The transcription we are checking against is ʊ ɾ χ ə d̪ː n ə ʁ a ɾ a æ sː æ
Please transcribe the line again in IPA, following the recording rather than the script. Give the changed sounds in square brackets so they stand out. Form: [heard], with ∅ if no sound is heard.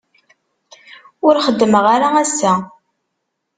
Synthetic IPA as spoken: ʊ ɾ χ ə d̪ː [m] ə ʁ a ɾ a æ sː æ

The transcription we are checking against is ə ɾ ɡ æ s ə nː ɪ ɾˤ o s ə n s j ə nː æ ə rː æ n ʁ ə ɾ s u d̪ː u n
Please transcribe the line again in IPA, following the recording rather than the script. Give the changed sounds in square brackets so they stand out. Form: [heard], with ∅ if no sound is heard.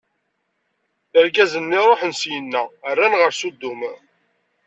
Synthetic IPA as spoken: ə ɾ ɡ æ [z] ə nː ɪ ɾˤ o [ħ] ə n s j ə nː æ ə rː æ n ʁ ə ɾ s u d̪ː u [m]

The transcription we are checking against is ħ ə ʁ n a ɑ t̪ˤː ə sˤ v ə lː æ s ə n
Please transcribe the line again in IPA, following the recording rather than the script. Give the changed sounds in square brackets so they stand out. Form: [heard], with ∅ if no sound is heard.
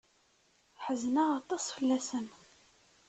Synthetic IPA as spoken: ħ ə [z] n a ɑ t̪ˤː [ɑ] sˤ [f] ə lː æ s ə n

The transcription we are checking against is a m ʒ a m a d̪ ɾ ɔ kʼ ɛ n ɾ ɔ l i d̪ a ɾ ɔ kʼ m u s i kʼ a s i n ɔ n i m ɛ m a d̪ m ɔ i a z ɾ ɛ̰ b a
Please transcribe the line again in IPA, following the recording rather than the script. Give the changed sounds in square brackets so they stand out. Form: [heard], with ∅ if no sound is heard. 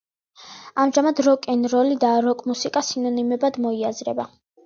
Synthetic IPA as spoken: a m ʒ a m a d̪ ɾ ɔ kʼ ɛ n ɾ ɔ l i d̪ a ɾ ɔ kʼ m u s i kʼ a s i n ɔ n i m ɛ [b] a d̪ m ɔ i a z ɾ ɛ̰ b a

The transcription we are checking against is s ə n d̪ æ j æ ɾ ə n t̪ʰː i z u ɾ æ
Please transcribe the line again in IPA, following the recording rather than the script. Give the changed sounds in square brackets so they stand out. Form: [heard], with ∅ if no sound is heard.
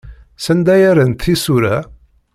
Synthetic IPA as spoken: s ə n d̪ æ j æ ɾ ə n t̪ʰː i [s] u ɾ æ

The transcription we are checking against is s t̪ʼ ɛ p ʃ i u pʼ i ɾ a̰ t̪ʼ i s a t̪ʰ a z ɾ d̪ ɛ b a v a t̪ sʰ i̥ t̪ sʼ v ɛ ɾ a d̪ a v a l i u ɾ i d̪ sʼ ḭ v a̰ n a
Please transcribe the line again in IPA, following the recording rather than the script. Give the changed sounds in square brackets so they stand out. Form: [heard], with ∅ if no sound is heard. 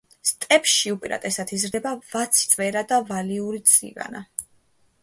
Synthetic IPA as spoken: s t̪ʼ ɛ p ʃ i u pʼ i ɾ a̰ t̪ʼ [ɛ] s a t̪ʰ [i] z ɾ d̪ ɛ b a v a t̪ sʰ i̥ t̪ sʼ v ɛ ɾ a d̪ a v a l i u ɾ i [t̪] sʼ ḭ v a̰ n a

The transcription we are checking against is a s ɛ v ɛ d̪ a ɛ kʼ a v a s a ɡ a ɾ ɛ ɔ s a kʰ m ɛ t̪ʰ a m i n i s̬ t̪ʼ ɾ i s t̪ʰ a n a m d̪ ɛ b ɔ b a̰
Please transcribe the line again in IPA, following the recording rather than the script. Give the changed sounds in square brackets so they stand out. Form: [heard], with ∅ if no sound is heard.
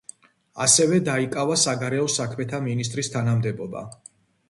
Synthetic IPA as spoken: a s ɛ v ɛ d̪ a [i] kʼ a v a s a ɡ a ɾ ɛ ɔ s a kʰ m ɛ t̪ʰ a m i n i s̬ t̪ʼ ɾ i s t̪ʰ a n a m d̪ ɛ b ɔ b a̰

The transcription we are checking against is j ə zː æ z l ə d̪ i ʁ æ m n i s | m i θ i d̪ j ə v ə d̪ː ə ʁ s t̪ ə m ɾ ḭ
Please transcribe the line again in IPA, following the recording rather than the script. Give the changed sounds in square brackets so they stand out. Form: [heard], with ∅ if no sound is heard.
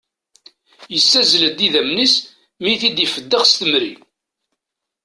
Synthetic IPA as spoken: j ə [sː] æ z l ə d̪ i [ð] æ m n i s | m i θ i d̪ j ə [f] ə d̪ː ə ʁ s t̪ ə m ɾ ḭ

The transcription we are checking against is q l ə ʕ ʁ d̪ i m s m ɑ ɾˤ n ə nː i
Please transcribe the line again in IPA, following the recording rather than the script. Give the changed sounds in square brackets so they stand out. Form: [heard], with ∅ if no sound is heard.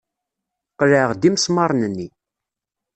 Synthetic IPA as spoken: q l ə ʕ ʁ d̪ i m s m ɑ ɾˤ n ə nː i

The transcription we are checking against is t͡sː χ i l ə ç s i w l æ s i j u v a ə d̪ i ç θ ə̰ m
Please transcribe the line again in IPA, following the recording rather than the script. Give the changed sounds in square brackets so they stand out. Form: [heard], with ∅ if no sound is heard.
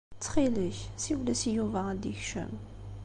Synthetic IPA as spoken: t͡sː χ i l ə ç s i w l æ s i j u v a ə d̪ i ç [ʃ] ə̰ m

